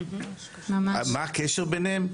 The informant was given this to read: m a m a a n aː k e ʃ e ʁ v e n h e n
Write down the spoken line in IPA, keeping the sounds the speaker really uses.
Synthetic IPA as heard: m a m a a m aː k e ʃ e ʁ b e n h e m